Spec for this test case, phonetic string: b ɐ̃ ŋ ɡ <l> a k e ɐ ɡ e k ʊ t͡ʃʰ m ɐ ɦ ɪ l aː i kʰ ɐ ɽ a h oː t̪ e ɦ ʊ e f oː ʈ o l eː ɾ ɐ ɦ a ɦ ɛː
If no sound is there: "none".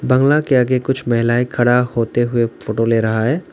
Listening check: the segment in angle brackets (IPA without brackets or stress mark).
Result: l